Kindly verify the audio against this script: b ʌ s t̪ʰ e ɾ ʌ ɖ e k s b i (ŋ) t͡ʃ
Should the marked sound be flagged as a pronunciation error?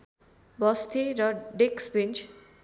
yes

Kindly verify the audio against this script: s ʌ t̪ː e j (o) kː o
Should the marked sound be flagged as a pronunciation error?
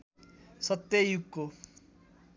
yes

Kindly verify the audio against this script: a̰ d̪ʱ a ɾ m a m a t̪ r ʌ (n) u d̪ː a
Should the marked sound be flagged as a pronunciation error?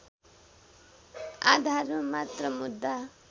yes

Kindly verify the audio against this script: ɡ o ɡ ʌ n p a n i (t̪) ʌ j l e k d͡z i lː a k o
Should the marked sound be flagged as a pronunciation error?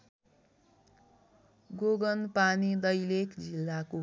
yes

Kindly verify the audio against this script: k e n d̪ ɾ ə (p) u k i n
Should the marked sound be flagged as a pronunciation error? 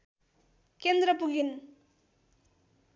no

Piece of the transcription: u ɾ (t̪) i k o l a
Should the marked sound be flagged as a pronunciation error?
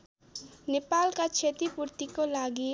no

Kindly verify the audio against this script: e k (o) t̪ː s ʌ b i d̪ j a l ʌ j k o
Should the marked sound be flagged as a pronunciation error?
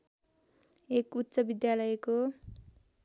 yes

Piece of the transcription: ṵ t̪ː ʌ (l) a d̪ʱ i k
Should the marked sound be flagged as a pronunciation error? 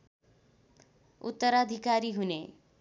yes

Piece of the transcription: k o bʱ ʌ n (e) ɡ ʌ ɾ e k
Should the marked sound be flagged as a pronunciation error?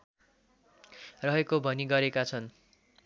yes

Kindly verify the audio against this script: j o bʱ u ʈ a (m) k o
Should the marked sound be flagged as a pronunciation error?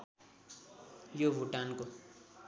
yes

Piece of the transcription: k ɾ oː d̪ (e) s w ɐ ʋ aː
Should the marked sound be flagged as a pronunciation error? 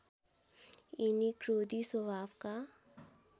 yes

